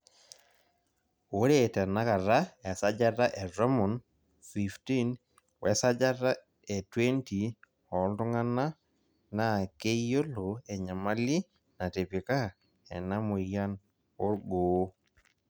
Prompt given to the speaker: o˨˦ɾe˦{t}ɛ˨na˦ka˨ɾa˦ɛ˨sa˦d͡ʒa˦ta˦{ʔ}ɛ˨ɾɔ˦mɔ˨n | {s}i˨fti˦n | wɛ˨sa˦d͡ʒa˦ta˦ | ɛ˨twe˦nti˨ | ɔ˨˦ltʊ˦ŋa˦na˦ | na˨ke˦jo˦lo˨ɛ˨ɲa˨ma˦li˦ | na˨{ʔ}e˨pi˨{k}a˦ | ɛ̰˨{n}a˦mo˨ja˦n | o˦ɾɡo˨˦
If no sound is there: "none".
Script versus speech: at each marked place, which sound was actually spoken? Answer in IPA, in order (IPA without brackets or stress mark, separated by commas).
t, ʔ, f, t, k, n